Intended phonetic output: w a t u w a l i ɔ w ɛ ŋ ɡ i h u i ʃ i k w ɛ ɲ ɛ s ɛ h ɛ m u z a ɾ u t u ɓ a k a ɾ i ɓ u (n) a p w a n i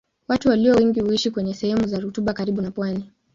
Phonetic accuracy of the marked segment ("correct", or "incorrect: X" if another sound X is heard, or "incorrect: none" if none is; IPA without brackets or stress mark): correct